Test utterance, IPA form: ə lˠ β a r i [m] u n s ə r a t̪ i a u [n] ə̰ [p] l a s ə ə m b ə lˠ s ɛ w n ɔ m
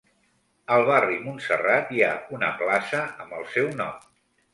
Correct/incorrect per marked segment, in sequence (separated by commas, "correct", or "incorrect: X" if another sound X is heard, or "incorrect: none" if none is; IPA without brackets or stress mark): correct, correct, correct